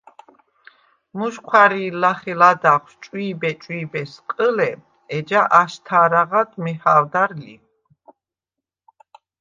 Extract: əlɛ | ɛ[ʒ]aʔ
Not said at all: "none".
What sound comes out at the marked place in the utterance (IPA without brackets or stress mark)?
d͡ʒ